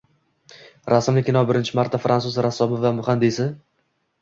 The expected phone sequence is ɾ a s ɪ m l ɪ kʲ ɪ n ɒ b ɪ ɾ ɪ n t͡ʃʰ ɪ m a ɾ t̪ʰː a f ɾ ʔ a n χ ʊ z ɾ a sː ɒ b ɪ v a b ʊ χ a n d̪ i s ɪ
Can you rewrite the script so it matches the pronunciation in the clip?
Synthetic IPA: ɾ a s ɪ m l ɪ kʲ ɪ n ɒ b ɪ ɾ ɪ n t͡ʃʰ ɪ m a ɾ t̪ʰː a f ɾ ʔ a n s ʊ z ɾ a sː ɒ b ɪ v a m ʊ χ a n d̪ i s ɪ